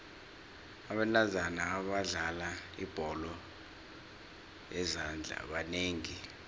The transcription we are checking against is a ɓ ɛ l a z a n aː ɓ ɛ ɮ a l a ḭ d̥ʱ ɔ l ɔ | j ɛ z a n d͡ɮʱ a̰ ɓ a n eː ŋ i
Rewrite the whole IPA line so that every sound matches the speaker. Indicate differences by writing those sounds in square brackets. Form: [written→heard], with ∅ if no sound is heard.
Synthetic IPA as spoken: a ɓ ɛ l a z a n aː ɓ [ɛ→a] ɮ a l a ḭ [d̥ʱ→b̥ʱ] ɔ l ɔ | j ɛ z a n d͡ɮʱ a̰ ɓ a n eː ŋ i